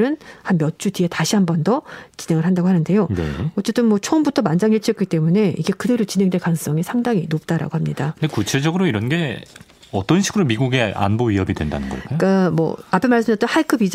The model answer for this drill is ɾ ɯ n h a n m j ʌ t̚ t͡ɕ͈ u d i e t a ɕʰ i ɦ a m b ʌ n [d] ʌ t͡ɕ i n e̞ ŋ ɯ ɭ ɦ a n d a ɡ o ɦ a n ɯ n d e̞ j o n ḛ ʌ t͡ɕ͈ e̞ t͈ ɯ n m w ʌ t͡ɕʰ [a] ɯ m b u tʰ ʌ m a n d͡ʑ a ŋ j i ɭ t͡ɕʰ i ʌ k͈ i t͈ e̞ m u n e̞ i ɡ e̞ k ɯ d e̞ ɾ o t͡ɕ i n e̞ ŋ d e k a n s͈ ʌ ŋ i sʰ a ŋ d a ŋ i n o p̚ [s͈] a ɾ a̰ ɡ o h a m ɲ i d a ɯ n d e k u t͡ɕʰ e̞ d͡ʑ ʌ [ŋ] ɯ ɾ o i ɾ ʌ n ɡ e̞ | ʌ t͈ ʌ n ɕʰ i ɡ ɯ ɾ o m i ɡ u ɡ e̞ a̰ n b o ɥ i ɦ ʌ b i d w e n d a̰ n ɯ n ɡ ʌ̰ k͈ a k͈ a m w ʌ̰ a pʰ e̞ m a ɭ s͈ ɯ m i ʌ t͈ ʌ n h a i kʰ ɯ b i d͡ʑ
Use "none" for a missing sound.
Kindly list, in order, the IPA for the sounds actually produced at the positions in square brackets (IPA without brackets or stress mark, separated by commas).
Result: d, ʌ, t͈, ɡ